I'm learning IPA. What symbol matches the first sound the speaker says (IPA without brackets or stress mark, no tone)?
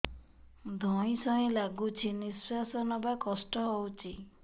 d̪ʱ